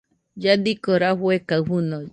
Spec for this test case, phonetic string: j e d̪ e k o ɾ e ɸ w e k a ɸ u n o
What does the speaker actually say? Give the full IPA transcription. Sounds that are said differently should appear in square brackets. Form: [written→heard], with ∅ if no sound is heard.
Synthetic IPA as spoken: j [e→a] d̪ [e→i] k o ɾ [e→a] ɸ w e k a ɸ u n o